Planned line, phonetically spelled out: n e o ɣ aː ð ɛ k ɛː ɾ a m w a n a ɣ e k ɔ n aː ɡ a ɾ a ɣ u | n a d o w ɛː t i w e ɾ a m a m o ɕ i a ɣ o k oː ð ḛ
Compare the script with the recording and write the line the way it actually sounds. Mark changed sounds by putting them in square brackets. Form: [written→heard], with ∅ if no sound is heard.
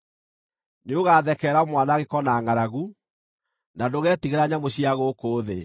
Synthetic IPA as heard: n e o ɣ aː ð ɛ k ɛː ɾ a m w a n a ɣ e k ɔ n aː [ɡ→ŋ] a ɾ a ɣ u | n a d o [w→ɣ] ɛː t i [w→ɣ] e ɾ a [m→ɲ] a m o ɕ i a ɣ o k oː ð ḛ